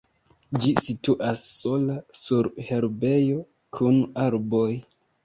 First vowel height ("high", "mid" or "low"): high